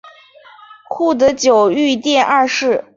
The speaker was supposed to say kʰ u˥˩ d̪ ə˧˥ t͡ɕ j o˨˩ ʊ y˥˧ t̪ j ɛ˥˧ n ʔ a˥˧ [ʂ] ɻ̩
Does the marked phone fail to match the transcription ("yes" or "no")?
no